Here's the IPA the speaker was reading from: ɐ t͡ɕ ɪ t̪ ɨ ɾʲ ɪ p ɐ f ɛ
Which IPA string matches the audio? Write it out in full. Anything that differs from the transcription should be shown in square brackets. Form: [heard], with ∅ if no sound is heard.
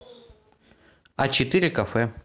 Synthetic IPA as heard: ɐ t͡ɕ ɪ t̪ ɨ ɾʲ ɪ [k] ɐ f ɛ